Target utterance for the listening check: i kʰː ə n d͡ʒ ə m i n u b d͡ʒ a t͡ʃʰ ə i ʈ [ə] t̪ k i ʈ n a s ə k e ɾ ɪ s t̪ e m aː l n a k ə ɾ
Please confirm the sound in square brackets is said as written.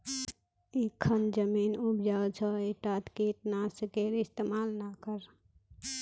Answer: no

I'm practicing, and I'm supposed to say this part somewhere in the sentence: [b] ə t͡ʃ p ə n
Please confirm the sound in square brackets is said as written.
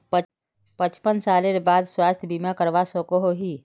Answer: no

